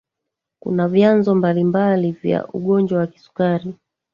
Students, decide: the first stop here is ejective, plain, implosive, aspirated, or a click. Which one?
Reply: plain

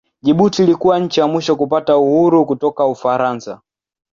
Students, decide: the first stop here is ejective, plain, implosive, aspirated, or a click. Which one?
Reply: implosive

